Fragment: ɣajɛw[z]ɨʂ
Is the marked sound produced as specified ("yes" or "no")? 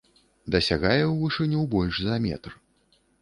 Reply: no